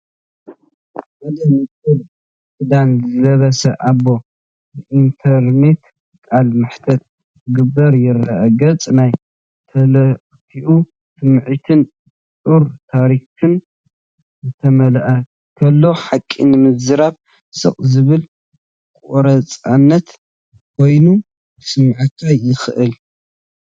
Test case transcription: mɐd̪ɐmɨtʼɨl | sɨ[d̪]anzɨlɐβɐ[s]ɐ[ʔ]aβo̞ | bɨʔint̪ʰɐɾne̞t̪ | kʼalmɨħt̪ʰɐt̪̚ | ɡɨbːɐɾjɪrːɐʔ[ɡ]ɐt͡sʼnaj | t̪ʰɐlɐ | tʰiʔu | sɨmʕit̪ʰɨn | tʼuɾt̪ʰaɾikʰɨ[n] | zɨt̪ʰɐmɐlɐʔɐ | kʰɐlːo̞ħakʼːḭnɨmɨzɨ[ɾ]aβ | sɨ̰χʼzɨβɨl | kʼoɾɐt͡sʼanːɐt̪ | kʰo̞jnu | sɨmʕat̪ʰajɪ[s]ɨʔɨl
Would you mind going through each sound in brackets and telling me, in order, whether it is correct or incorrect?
correct, correct, correct, correct, correct, correct, incorrect: x

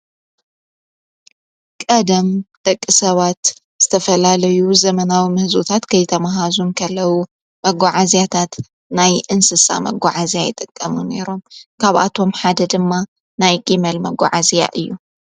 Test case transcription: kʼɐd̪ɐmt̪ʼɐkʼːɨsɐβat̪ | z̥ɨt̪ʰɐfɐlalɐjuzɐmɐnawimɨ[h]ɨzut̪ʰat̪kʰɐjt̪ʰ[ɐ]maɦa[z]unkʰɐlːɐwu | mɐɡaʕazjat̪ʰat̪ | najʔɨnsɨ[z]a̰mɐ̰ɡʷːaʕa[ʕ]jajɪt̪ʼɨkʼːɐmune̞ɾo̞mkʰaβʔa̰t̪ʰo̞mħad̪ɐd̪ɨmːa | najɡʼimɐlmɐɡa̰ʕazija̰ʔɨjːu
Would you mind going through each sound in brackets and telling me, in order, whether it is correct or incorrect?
correct, correct, correct, incorrect: s, incorrect: z

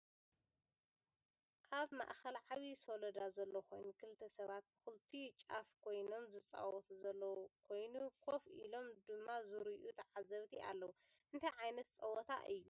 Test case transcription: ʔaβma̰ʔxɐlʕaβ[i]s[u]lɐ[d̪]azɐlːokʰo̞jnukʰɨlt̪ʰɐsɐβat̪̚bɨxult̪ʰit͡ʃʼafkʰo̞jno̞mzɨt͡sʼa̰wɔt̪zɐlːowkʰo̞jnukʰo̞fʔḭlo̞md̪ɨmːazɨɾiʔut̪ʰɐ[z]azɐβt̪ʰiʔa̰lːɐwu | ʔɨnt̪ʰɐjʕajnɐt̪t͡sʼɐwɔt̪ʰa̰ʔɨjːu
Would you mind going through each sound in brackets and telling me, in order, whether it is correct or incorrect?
correct, incorrect: o, correct, incorrect: ʕ

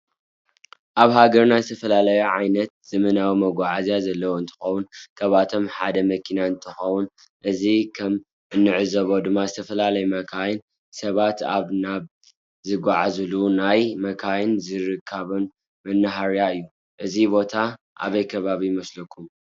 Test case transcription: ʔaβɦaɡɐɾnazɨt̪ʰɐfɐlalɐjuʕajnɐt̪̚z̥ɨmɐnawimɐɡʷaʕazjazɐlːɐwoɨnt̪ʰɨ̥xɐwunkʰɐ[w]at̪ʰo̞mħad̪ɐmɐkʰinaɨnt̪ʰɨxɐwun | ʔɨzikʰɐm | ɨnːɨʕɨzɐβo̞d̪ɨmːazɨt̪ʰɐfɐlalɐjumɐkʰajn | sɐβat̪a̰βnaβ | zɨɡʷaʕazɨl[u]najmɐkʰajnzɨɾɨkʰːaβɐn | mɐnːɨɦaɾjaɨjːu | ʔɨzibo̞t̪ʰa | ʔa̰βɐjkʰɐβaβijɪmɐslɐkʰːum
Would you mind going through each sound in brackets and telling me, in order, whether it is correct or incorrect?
incorrect: β, correct

